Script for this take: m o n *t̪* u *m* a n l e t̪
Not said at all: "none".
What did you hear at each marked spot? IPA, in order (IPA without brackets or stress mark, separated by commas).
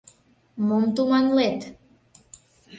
t̪, m